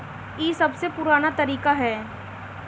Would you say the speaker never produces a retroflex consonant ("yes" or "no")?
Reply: yes